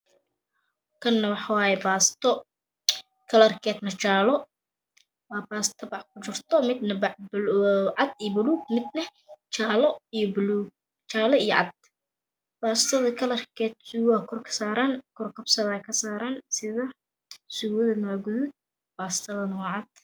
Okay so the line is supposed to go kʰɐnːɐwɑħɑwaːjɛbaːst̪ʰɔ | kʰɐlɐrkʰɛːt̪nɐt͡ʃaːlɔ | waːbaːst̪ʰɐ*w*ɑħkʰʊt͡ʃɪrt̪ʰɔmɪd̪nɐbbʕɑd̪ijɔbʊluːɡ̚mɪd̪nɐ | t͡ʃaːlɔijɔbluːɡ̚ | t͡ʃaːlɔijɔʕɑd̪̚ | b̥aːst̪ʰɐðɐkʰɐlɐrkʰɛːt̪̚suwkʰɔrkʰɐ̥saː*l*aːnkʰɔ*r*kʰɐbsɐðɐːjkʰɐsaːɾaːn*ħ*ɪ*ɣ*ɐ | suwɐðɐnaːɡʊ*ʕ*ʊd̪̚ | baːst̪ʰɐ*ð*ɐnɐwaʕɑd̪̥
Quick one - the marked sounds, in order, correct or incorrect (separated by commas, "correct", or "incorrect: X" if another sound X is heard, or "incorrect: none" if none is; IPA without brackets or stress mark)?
incorrect: b, incorrect: ɾ, correct, incorrect: s, incorrect: ð, incorrect: ð, correct